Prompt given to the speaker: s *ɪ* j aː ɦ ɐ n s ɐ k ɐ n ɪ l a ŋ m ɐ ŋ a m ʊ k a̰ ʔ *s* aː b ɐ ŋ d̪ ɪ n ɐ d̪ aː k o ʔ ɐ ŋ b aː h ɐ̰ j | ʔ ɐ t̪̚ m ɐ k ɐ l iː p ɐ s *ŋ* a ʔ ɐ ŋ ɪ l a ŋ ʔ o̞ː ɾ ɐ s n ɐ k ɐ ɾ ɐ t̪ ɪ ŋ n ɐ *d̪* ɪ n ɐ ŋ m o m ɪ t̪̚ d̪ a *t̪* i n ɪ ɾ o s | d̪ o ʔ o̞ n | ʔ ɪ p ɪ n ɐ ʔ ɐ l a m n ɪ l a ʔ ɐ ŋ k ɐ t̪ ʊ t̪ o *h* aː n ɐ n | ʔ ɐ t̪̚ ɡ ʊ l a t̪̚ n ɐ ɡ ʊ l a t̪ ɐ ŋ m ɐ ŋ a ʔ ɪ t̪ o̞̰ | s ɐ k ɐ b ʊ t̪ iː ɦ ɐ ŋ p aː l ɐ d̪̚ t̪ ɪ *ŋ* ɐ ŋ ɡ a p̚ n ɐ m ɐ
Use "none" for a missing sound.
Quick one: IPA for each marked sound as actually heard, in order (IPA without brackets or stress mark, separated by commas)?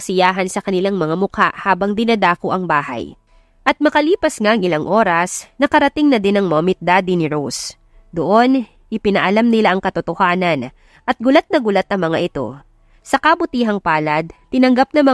ɪ, h, ŋ, d̪, d̪, h, n